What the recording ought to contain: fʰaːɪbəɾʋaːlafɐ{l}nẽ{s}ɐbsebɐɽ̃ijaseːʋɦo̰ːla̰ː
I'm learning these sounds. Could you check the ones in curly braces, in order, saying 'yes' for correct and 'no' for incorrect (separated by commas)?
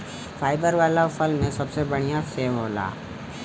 yes, yes